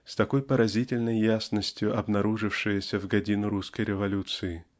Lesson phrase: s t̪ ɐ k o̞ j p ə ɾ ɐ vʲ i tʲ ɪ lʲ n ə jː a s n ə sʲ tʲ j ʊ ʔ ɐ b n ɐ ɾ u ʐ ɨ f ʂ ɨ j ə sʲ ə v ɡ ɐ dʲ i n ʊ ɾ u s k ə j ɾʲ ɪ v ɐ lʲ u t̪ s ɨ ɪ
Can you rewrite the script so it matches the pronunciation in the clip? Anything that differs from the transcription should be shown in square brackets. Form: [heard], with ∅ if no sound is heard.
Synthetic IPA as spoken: s t̪ ɐ k o̞ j p ə ɾ ɐ [zʲ] i tʲ ɪ lʲ n ə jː a s n ə sʲ tʲ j ʊ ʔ ɐ b n ɐ ɾ u ʐ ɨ f ʂ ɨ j ə sʲ ə v ɡ ɐ dʲ i n ʊ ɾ u s k ə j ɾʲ ɪ v ɐ lʲ u t̪ s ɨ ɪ